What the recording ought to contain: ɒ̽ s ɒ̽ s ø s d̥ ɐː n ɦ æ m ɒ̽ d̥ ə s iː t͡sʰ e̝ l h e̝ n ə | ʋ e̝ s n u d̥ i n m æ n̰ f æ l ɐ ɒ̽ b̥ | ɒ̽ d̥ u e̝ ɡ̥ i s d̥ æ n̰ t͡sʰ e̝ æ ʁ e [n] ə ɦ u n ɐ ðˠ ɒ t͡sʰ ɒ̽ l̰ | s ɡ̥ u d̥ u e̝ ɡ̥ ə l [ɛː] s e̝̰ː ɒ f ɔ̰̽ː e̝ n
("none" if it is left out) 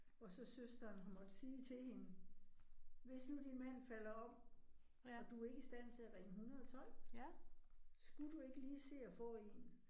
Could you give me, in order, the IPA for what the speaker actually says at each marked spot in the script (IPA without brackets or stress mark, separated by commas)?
ŋ, iː